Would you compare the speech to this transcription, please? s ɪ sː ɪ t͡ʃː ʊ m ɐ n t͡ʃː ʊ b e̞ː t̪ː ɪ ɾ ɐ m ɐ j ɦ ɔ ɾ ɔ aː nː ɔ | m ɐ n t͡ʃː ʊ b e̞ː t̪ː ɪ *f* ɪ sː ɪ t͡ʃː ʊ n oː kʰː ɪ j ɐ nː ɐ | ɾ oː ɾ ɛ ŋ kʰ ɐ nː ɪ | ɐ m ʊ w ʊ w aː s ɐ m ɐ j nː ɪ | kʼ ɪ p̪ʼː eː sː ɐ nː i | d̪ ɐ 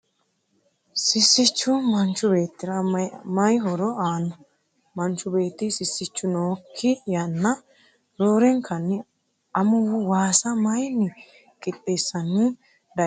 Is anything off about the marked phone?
yes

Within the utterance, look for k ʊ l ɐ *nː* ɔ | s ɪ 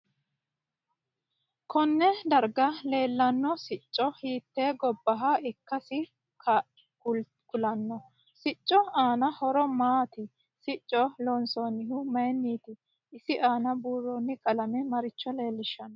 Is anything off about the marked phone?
no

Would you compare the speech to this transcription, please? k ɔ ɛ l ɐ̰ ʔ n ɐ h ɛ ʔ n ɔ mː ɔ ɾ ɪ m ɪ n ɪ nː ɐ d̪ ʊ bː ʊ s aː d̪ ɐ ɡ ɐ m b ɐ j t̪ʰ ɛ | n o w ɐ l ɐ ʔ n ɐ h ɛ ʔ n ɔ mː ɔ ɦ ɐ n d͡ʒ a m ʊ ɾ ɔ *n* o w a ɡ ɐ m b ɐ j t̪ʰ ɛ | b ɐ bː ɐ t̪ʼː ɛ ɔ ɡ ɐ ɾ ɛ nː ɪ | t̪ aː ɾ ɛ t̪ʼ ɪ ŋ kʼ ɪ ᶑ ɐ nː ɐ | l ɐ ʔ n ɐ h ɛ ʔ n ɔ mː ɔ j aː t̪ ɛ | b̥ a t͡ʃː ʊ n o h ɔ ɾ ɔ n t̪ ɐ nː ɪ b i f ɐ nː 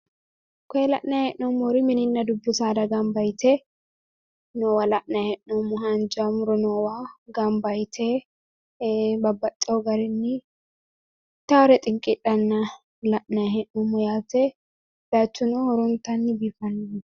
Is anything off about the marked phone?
no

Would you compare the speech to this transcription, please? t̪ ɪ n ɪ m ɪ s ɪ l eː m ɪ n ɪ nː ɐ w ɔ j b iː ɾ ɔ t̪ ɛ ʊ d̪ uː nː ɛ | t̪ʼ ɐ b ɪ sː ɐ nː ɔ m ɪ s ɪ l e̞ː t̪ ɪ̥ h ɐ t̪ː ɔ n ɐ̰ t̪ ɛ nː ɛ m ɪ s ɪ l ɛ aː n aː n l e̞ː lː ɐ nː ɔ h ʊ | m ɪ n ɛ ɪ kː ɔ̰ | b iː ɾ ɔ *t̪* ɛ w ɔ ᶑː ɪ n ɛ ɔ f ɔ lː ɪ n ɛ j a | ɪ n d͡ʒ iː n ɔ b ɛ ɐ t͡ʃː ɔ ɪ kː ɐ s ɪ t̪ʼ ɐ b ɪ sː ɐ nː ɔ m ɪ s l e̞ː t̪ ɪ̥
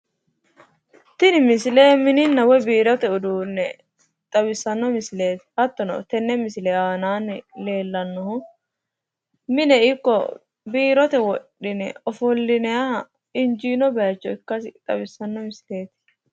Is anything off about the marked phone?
no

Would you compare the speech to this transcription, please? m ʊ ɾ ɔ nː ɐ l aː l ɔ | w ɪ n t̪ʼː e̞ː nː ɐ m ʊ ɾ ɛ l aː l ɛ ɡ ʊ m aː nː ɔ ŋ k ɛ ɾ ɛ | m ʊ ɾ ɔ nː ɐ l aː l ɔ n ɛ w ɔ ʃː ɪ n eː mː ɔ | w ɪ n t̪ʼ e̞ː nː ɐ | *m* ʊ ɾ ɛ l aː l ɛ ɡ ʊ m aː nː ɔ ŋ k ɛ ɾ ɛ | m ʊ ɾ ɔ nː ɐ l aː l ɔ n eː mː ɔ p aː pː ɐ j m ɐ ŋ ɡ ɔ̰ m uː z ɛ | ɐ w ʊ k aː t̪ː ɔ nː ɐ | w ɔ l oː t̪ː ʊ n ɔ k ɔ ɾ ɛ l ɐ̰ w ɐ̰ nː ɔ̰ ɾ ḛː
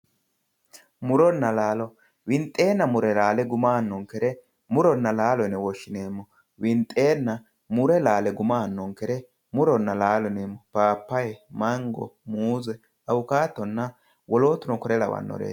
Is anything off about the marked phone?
no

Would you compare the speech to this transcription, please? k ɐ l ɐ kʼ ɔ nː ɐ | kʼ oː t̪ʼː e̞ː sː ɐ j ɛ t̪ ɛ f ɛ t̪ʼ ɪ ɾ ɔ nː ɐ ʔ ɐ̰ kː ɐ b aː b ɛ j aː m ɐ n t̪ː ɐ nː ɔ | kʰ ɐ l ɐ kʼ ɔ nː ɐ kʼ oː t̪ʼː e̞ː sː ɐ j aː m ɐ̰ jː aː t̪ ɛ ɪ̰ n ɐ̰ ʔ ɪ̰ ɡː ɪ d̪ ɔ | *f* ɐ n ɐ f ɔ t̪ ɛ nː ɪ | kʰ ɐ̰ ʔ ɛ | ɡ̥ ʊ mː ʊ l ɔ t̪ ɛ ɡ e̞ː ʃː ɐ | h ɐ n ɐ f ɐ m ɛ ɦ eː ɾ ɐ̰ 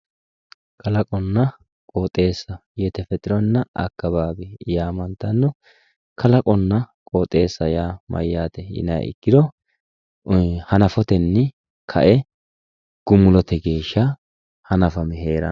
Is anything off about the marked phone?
yes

